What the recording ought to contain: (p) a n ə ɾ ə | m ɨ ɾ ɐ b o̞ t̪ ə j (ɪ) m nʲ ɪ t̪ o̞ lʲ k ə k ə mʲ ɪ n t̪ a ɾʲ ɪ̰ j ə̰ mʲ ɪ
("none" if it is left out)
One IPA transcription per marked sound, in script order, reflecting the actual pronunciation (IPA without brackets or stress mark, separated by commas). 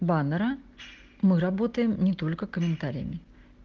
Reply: b, ɪ